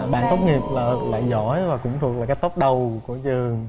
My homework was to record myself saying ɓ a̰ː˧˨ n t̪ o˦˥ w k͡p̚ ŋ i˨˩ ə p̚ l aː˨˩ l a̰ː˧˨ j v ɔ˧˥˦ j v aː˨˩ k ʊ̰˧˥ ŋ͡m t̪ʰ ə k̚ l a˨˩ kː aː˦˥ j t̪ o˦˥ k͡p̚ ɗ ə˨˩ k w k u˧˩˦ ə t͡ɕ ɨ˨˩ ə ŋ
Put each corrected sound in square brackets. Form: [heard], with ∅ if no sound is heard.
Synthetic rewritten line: ɓ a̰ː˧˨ n t̪ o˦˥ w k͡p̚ ŋ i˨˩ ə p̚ l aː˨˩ l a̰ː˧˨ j [z] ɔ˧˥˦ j v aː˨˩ k ʊ̰˧˥ ŋ͡m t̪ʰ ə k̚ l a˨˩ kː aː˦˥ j t̪ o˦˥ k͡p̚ ɗ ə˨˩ [∅] w k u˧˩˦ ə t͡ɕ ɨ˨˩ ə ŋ